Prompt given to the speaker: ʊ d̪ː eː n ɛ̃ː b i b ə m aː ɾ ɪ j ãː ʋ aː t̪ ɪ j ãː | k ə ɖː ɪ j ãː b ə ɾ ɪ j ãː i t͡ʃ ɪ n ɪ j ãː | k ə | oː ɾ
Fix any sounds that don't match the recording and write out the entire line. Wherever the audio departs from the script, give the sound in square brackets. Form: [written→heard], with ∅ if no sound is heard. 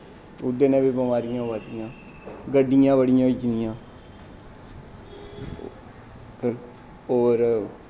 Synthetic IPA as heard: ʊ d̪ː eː n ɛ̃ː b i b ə m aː ɾ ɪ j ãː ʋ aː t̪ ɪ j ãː | [k→ɡ] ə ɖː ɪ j ãː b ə [ɾ→ɽ] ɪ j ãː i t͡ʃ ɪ n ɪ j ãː | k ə | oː ɾ